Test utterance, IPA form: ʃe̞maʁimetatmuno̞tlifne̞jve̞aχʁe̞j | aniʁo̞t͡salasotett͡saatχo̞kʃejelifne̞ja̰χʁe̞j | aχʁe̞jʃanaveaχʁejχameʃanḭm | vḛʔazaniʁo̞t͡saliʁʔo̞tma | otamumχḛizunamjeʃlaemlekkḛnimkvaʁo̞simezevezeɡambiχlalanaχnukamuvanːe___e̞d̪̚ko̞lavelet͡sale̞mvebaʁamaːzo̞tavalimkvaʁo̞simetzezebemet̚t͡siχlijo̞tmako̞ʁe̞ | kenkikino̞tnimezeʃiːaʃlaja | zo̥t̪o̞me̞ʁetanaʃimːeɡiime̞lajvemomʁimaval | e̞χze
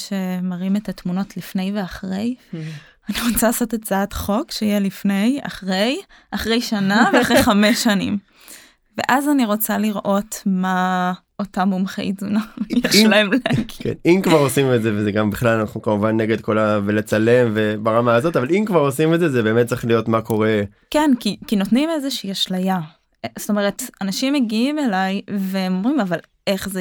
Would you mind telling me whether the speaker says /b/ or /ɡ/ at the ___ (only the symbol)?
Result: ɡ